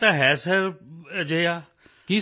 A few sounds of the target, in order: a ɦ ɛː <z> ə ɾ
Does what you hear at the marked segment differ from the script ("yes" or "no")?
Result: yes